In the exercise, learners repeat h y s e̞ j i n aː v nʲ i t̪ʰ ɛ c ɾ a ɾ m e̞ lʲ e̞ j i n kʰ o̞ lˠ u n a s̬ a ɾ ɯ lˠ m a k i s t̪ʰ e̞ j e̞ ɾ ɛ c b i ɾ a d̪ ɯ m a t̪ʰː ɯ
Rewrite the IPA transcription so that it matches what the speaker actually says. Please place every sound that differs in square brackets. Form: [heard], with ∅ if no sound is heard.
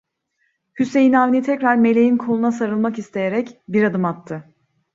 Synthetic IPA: h y s e̞ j i n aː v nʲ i t̪ʰ ɛ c ɾ a ɾ m e̞ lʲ e̞ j i n kʰ o̞ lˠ u n a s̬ a ɾ ɯ lˠ m a k i s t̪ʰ e̞ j e̞ ɾ ɛ c b i ɾ a d̪ ɯ m a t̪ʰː ɯ